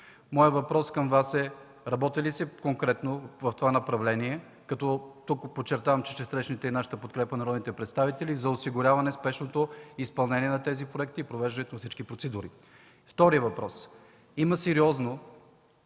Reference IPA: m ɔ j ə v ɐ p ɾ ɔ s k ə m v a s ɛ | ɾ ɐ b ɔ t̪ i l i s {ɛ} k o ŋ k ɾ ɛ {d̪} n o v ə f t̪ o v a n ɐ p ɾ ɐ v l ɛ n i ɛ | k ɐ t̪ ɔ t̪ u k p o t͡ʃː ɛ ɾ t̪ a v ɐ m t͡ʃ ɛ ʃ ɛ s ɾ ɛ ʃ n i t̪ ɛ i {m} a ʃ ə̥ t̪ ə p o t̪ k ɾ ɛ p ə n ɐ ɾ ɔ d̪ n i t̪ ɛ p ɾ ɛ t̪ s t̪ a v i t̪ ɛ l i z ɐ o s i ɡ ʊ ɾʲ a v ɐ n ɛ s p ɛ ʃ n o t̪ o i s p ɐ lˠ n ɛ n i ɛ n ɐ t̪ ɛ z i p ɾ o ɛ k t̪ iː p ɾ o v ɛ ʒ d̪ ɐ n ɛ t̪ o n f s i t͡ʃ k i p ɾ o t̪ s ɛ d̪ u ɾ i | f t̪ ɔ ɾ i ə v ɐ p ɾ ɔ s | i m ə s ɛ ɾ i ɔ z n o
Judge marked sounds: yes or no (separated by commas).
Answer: yes, no, no